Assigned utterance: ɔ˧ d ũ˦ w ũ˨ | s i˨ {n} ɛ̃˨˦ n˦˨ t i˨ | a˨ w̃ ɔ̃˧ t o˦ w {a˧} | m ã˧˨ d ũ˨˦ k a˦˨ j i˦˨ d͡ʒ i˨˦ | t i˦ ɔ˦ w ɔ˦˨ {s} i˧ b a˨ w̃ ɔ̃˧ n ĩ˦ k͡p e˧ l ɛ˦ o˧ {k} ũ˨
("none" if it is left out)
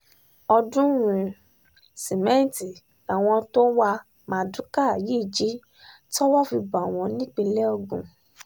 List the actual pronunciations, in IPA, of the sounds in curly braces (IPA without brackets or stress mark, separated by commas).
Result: m, a˧, f, ɡ